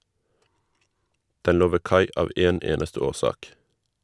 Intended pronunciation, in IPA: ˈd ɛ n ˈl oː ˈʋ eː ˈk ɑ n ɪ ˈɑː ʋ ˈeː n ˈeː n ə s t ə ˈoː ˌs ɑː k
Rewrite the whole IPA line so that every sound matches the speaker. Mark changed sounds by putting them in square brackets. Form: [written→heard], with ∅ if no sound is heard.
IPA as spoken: ˈd ɛ n ˈl oː ˈʋ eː ˈk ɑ [n→∅] ɪ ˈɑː ʋ ˈeː n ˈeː n ə s t ə ˈoː ˌs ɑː k

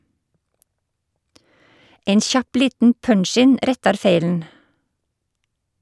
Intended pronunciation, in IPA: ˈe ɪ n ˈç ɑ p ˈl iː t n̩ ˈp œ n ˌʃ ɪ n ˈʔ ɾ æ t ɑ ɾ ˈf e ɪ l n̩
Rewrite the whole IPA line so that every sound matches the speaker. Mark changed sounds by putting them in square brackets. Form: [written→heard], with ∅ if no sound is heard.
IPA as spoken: ˈe ɪ n ˈç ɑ p ˈl iː t n̩ ˈp œ [n→ɳ] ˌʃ ɪ n ˈʔ ɾ [æ→ɛ] t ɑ ɾ ˈf e ɪ l n̩

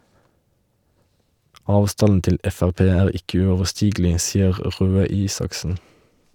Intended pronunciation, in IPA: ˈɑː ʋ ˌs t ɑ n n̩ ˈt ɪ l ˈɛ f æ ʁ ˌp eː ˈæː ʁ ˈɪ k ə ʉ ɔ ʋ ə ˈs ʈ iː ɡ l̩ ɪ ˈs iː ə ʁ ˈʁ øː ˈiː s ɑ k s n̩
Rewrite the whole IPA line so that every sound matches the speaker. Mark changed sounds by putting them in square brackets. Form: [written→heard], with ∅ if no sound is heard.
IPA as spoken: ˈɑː ʋ ˌs t ɑ n n̩ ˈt ɪ l ˈɛ f æ ʁ ˌp eː ˈæː ʁ ˈɪ k ə ʉ ɔ ʋ ə ˈs ʈ iː ɡ l̩ ɪ ˈs iː ə ʁ ˈʁ øː ˈiː s ɑ k s n̩

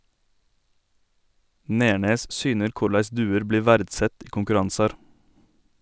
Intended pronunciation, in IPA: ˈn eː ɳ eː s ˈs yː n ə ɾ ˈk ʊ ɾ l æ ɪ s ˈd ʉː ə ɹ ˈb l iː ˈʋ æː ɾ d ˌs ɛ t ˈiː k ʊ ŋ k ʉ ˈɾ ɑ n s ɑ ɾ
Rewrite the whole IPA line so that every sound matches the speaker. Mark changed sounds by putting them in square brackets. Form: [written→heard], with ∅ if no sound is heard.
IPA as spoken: ˈn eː ɳ eː s ˈs yː n ə ɾ ˈk ʊ ɾ l æ ɪ s ˈd ʉː ə [ɹ→ɾ] ˈb l iː ˈʋ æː ɾ d ˌs ɛ t ˈiː k ʊ ŋ k ʉ ˈɾ ɑ n s ɑ ɾ

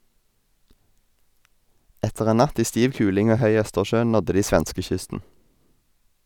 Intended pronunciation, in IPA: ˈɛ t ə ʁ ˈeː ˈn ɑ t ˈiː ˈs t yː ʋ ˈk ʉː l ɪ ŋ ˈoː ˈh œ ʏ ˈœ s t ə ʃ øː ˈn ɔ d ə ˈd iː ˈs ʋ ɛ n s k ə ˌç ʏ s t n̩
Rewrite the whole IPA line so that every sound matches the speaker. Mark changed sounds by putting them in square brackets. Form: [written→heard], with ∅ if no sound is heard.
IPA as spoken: ˈɛ t ə ʁ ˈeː ˈn ɑ t ˈiː ˈs t [yː→iː] ʋ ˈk ʉː l ɪ ŋ ˈoː ˈh œ ʏ ˈœ s t ə ʃ øː ˈn ɔ d ə ˈd iː ˈs ʋ ɛ n s k ə ˌç ʏ s t n̩

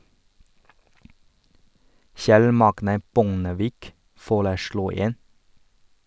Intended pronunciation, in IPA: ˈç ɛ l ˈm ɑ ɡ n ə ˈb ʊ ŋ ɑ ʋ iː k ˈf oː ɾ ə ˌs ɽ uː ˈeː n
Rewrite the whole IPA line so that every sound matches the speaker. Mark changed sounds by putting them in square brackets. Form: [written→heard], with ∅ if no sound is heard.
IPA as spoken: ˈç ɛ l ˈm ɑ ɡ n ə ˈb ʊ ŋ [ɑ→ə] ʋ iː k ˈf oː [ɾ→ɭ] ə ˌs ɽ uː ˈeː n

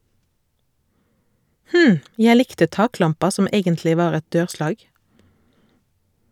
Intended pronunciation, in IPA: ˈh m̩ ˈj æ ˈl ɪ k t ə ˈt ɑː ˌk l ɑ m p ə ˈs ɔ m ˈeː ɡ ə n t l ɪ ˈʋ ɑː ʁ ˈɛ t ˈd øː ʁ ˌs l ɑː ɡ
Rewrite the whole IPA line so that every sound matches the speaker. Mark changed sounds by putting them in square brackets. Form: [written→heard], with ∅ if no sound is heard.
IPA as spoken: ˈh m̩ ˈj æ ˈl ɪ k t ə ˈt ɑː ˌk l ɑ m p [ə→ɑ] ˈs ɔ m ˈeː ɡ ə n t l ɪ ˈʋ ɑː ʁ ˈɛ t ˈd øː ʁ ˌs l ɑː ɡ

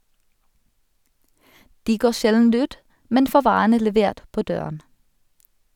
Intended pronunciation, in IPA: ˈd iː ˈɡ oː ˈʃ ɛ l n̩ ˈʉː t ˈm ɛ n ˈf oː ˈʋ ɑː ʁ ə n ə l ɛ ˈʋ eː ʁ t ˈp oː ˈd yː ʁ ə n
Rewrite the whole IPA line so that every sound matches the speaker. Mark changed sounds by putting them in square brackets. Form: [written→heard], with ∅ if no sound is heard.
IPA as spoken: ˈd iː ˈɡ oː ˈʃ ɛ l n̩ ˈʉː t ˈm ɛ n ˈf oː ˈʋ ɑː ʁ ə n ə l ɛ ˈʋ eː ʁ t ˈp oː ˈd [yː→øː] ʁ ə n

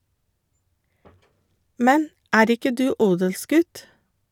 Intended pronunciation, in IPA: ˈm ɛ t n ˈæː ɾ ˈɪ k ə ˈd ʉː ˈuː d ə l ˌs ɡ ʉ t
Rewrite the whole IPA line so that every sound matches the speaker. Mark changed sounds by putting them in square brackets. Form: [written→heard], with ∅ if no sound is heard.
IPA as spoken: ˈm ɛ [t→∅] n ˈæː ɾ ˈɪ k ə ˈd ʉː ˈuː d ə l ˌs ɡ ʉ t

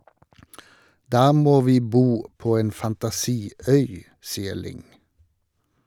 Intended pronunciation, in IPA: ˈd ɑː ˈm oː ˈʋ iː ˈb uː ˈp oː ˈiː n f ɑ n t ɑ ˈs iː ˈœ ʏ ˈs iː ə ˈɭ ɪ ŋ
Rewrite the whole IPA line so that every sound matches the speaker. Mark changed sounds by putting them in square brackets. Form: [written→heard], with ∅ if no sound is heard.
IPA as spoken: ˈd ɑː ˈm oː ˈʋ iː ˈb uː ˈp oː [ˈiː→ˈeː] n f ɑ n t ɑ ˈs iː ˈœ ʏ ˈs iː ə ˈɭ ɪ ŋ

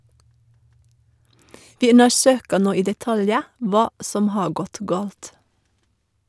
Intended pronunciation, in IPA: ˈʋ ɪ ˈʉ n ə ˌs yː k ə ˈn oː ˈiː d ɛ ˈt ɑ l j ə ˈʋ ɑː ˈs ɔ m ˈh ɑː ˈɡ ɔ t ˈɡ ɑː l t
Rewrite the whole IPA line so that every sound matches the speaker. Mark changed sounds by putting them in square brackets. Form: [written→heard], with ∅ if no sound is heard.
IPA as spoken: ˈʋ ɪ ˈʉ n ə ˌs [yː→øː] k ə ˈn oː ˈiː d ɛ ˈt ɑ l j ə ˈʋ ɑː ˈs ɔ m ˈh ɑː ˈɡ ɔ t ˈɡ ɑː l t

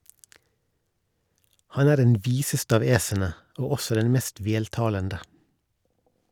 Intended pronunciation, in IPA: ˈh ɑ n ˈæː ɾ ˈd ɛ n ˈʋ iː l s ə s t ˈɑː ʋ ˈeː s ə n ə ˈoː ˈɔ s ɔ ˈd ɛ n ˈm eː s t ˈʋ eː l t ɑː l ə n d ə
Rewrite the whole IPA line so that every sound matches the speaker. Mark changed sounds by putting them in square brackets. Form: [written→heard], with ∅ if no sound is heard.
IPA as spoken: ˈh ɑ n ˈæː ɾ ˈd ɛ n ˈʋ iː [l→∅] s ə s t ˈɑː ʋ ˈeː s ə n ə ˈoː ˈɔ s ɔ ˈd ɛ n ˈm eː s t ˈʋ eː l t ɑː l ə n d ə

